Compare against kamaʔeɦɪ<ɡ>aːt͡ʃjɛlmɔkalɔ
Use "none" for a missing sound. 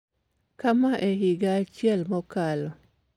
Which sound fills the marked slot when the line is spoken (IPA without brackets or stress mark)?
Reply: ɡ